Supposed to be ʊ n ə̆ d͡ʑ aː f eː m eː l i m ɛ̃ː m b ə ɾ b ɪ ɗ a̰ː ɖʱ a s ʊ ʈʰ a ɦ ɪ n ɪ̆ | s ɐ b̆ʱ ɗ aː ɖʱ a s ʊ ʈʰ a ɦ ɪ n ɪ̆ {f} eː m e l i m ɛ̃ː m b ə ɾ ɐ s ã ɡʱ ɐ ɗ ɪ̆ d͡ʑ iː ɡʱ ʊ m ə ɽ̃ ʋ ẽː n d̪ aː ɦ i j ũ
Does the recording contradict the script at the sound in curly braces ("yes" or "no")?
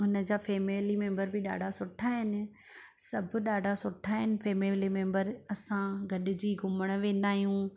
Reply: no